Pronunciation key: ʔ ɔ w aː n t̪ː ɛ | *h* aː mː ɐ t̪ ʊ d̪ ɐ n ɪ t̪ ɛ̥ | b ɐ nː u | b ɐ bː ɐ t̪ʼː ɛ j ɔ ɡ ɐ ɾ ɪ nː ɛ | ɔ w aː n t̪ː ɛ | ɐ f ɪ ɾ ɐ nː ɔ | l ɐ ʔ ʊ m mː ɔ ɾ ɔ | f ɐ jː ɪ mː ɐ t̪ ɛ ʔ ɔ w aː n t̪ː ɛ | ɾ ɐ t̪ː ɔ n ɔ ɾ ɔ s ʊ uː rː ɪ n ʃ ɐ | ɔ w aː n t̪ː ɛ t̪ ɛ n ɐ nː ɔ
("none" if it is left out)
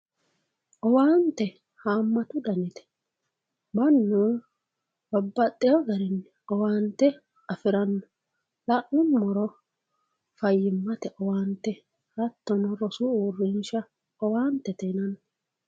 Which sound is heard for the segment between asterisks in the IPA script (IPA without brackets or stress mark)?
h